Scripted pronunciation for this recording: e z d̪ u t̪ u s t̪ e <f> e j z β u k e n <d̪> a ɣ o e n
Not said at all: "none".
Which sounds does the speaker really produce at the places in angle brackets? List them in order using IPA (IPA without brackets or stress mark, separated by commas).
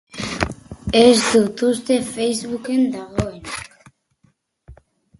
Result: f, d̪